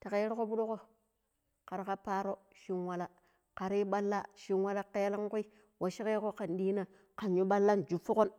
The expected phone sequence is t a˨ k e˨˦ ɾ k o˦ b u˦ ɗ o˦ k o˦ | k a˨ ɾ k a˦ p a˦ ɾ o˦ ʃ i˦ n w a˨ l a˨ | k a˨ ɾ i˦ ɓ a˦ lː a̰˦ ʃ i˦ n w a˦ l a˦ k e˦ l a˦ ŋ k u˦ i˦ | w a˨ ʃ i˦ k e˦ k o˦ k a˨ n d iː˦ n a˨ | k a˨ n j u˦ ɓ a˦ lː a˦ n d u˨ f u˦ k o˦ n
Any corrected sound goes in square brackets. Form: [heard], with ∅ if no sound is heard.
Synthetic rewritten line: t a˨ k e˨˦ ɾ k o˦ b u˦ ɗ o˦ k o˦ | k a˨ ɾ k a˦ p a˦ ɾ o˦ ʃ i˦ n w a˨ l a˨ | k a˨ ɾ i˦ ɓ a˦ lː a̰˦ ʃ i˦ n w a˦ l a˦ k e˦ l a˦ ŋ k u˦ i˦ | w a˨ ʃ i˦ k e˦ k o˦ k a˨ n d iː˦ n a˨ | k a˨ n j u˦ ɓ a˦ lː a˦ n [d͡ʒ] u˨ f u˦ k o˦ n